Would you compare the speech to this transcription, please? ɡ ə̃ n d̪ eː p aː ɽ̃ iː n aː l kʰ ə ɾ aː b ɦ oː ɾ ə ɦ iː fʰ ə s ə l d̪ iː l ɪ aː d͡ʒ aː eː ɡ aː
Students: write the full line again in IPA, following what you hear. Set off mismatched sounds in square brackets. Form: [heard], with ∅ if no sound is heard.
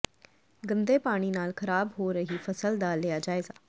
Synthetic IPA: ɡ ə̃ n d̪ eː p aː ɽ̃ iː n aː l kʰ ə ɾ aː b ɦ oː ɾ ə ɦ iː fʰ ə s ə l d̪ [aː] l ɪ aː d͡ʒ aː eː ɡ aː